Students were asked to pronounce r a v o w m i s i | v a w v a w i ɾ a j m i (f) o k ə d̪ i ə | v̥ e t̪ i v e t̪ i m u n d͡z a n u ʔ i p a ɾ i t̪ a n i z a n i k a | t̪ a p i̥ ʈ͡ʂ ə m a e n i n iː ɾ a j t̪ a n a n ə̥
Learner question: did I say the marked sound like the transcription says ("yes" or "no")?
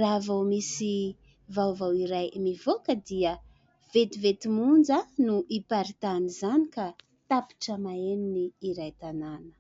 no